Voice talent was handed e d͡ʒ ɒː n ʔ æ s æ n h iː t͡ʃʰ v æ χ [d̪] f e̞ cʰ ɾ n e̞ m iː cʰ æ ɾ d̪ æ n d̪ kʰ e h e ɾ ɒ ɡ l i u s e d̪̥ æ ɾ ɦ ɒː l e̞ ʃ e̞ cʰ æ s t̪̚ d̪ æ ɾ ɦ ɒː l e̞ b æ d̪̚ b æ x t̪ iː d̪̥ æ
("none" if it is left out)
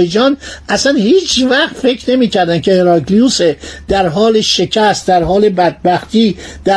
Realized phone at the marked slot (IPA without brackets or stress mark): t̪